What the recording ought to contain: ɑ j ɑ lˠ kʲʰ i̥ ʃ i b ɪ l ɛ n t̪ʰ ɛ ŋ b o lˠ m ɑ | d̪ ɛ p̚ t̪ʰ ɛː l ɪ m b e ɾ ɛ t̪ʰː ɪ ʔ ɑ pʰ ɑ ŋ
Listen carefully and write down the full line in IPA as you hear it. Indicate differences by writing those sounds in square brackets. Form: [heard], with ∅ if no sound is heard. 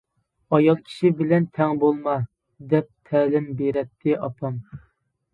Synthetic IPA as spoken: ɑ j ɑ lˠ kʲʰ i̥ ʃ i b ɪ l ɛ n t̪ʰ ɛ ŋ b o lˠ m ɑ | d̪ ɛ p̚ t̪ʰ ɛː l ɪ m b e ɾ ɛ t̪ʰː ɪ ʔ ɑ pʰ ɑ [m]